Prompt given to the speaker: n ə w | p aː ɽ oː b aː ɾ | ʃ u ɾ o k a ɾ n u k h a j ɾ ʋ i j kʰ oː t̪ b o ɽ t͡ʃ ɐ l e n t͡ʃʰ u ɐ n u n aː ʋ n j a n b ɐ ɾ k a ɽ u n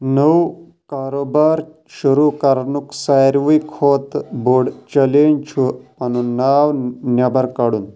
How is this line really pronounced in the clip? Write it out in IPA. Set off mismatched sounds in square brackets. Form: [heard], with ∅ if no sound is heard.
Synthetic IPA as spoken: n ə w | [k] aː [ɾ] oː b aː ɾ | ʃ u ɾ [u] k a ɾ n u k [s] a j ɾ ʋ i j kʰ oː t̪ b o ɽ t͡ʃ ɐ l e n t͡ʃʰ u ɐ n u n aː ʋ n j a [∅] b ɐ ɾ k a ɽ u n